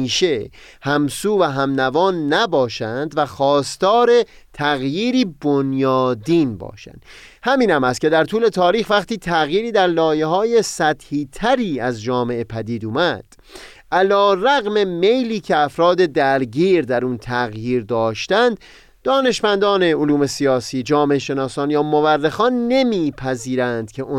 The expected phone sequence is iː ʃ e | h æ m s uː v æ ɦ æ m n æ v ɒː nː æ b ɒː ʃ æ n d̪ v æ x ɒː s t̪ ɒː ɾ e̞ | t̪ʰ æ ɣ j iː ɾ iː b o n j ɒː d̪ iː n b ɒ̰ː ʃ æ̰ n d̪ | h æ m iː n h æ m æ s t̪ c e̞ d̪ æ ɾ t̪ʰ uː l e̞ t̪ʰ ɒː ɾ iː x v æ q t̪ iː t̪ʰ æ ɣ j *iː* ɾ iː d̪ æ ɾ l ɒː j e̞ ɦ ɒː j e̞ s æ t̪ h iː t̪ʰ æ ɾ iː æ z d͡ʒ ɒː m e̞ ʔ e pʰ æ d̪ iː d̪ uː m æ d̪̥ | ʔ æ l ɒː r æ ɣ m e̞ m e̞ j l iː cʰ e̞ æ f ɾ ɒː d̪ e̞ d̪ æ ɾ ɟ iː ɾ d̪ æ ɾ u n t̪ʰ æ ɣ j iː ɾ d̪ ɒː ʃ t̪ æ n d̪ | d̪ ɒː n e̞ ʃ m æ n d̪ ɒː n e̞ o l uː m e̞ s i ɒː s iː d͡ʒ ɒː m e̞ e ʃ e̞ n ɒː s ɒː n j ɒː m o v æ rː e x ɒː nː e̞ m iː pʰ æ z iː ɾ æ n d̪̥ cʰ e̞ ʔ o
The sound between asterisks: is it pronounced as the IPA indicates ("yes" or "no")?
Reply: yes